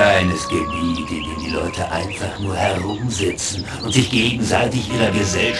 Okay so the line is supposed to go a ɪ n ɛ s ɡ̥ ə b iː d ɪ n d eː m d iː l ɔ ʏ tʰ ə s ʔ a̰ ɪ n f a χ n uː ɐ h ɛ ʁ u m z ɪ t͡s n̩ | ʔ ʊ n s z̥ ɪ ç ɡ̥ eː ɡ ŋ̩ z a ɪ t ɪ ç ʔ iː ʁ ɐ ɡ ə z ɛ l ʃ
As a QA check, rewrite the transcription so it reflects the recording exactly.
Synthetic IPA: a ɪ n ɛ s ɡ̥ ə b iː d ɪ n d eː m d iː l ɔ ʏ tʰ ə ʔ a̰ ɪ n f a χ n uː ɐ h ɛ ʁ ʊ m z ɪ t͡s n̩ | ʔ ʊ n t z̥ ɪ ç ɡ̥ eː ɡ ŋ̩ z a ɪ t ɪ ç ʔ iː ʁ ɐ ɡ ə z ɛ l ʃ